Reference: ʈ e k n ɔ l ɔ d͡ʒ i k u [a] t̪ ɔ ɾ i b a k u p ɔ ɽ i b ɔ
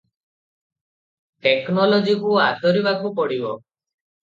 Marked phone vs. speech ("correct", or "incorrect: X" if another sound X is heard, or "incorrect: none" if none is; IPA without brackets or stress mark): correct